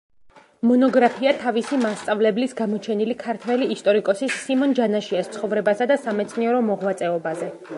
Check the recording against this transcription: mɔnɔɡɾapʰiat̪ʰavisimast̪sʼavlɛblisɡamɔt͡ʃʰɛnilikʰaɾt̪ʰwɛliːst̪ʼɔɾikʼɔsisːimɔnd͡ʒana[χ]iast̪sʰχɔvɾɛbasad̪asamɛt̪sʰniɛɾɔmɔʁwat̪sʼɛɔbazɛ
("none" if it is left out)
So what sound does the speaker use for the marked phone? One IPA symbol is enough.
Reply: ʃ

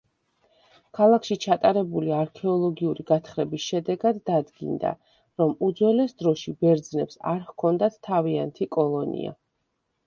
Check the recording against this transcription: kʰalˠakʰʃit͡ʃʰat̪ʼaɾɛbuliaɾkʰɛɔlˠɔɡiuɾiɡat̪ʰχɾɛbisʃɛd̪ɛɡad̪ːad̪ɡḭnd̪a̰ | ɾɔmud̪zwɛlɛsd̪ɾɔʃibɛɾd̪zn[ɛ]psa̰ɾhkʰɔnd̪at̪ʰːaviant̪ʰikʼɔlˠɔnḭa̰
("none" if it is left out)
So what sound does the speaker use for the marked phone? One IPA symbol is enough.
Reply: ɛ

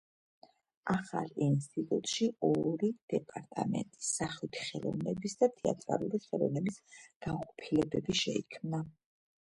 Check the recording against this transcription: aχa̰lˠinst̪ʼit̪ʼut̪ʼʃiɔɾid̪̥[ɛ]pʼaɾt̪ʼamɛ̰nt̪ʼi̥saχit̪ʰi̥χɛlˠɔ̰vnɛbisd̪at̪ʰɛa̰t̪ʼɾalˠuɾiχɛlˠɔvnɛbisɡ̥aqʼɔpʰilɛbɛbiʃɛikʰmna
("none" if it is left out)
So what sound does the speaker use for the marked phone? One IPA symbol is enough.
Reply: ɛ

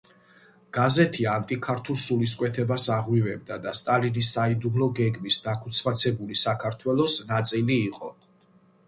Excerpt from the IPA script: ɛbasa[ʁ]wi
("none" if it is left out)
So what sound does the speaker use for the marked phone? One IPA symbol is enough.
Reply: ʁ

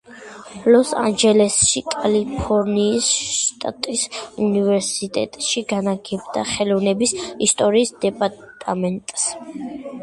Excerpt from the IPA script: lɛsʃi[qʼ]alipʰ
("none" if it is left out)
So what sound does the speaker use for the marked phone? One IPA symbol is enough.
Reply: kʼ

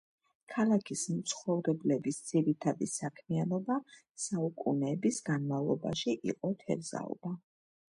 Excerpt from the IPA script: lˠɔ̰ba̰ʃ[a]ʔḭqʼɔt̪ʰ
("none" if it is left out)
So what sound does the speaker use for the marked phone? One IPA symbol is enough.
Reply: i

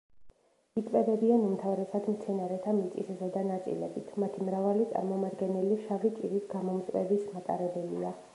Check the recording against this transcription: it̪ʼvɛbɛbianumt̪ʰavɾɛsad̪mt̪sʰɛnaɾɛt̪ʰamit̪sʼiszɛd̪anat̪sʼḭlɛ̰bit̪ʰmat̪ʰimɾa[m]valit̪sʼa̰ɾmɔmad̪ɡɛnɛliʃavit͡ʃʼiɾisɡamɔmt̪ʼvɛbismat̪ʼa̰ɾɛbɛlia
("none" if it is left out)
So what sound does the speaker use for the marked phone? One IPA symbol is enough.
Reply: none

